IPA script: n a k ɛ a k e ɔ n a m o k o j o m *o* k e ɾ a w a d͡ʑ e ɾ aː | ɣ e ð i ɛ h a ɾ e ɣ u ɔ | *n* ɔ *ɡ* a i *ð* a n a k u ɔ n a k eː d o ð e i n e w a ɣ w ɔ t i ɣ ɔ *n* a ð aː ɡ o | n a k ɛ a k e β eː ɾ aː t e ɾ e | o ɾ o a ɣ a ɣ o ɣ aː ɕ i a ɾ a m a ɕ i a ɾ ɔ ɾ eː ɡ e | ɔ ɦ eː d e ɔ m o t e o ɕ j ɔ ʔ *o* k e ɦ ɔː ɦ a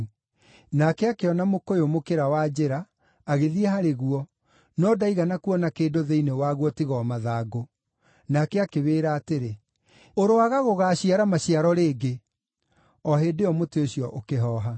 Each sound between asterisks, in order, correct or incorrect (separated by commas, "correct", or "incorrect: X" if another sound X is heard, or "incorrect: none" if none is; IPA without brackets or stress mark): correct, correct, incorrect: d, incorrect: ɣ, incorrect: m, correct